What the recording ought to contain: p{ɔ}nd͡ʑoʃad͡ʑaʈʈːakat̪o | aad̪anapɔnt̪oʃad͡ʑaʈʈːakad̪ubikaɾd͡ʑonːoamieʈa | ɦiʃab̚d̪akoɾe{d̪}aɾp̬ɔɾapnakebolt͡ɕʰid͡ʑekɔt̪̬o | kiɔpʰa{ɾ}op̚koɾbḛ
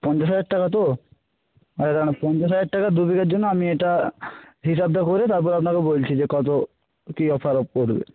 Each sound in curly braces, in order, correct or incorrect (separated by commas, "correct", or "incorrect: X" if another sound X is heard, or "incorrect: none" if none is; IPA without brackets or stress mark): correct, incorrect: t̪, correct